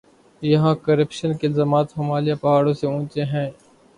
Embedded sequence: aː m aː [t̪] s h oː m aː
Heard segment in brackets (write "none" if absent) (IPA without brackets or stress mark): t̪